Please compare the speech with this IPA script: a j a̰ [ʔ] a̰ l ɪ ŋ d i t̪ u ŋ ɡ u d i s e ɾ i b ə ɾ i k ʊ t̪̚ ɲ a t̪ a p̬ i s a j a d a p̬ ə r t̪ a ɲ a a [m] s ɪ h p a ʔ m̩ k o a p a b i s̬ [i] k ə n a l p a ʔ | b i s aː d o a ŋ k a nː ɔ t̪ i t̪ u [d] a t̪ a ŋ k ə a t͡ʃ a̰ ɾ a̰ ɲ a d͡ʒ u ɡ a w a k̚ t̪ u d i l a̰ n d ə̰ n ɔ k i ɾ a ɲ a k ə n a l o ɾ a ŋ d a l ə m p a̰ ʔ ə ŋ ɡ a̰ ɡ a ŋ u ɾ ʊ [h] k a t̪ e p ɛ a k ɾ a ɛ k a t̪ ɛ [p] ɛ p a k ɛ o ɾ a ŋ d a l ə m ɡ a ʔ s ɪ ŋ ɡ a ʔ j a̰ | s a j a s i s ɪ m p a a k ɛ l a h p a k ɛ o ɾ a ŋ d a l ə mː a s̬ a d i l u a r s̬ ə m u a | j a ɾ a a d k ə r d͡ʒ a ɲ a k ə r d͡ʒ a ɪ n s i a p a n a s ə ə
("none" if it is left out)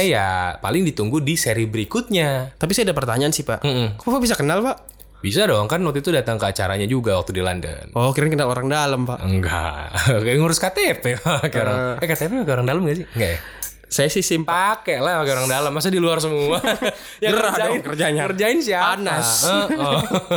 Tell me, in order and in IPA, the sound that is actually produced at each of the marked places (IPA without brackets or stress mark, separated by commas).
p, n, a, d, s, p